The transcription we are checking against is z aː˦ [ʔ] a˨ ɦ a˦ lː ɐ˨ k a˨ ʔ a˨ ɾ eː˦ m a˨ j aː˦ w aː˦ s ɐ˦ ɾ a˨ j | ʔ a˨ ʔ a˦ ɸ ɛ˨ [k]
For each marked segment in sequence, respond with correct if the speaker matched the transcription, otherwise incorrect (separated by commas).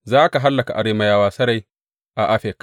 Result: incorrect, correct